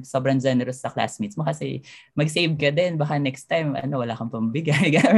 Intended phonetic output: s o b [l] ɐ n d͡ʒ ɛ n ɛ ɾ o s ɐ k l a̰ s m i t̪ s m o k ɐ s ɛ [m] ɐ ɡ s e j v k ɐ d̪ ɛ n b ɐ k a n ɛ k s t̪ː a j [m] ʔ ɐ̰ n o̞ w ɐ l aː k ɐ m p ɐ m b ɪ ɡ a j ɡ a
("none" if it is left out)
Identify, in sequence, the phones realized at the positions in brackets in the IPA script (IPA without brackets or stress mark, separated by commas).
ɾ, m, m